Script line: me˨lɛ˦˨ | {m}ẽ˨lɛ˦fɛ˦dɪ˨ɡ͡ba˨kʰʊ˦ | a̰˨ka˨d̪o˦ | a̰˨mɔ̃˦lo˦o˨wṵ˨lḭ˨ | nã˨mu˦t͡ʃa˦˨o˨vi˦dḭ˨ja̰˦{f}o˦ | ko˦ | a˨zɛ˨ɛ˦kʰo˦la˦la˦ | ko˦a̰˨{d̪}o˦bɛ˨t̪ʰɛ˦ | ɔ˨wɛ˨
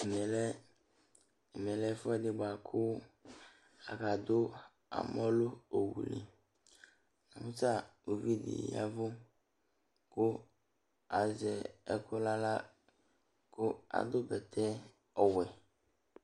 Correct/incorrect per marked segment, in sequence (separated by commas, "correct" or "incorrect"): correct, incorrect, correct